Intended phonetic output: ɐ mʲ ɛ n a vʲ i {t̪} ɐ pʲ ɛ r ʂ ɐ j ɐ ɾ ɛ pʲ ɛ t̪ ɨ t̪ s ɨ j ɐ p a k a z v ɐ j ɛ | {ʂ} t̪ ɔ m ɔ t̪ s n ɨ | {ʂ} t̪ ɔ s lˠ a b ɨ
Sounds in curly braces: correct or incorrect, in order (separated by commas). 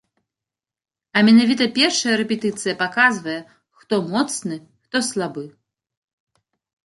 correct, incorrect, incorrect